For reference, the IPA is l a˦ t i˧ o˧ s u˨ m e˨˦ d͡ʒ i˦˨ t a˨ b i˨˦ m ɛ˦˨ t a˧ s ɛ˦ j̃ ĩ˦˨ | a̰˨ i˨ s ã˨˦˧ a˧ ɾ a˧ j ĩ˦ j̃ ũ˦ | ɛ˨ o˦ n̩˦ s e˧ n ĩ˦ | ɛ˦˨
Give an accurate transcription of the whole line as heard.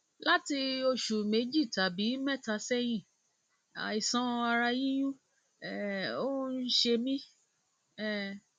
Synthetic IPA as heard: l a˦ t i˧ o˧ ʃ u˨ m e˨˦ d͡ʒ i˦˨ t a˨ b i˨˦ m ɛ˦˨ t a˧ s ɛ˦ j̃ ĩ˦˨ | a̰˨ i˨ s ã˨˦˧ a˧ ɾ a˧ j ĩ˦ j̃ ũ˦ | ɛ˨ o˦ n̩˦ ʃ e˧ m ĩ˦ | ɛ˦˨